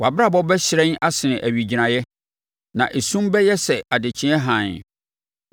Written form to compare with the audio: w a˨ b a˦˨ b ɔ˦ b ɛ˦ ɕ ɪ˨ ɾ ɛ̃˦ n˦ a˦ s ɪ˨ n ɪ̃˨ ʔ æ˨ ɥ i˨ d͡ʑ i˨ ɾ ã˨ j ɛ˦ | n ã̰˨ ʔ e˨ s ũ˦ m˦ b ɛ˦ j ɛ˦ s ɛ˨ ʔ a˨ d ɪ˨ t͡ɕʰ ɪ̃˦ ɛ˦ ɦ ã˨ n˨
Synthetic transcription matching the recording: w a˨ b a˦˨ b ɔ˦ b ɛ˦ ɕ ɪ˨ ɾ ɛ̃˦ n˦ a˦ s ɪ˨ n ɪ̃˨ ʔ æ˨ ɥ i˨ d͡ʑ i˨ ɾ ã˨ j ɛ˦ | n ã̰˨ ʔ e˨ s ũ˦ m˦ b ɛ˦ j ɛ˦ s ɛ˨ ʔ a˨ d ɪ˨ t͡ɕʰ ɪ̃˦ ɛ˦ ɦ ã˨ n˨